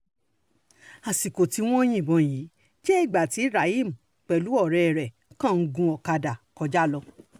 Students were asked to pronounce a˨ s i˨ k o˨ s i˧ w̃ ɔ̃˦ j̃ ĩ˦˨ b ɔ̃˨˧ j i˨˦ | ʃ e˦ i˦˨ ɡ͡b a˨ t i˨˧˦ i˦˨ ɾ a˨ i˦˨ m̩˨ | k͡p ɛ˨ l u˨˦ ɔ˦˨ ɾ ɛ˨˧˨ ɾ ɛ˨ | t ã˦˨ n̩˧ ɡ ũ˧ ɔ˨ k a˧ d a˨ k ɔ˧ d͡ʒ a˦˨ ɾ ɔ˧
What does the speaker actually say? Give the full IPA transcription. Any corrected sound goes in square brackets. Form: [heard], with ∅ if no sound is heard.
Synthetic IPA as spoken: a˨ s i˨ k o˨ [t] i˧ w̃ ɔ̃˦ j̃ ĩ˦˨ b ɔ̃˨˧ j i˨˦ | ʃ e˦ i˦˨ ɡ͡b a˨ t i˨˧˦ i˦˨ ɾ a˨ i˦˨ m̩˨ | k͡p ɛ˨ l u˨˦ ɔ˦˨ ɾ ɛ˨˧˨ ɾ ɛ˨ | [k] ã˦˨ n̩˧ ɡ ũ˧ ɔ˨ k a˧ d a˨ k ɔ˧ d͡ʒ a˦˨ [l] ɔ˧